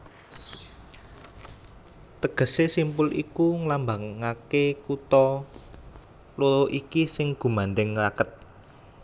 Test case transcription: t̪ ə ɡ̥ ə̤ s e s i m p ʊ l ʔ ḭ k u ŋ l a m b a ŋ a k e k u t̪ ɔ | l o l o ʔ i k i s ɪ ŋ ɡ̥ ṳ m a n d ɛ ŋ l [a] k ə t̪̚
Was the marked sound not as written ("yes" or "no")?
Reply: no